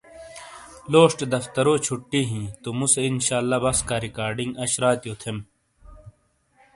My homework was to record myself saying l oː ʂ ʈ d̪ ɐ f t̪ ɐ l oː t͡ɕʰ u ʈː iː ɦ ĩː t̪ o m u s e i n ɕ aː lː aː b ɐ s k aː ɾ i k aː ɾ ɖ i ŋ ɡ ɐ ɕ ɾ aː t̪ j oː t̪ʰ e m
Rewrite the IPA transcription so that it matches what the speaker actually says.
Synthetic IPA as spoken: l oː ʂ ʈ d̪ ɐ f t̪ ɐ ɾ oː t͡ɕʰ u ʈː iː ɦ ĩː t̪ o m u s e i n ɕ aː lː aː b ɐ s k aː ɾ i k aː ɾ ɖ i ŋ ɡ ɐ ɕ ɾ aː t̪ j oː t̪ʰ e m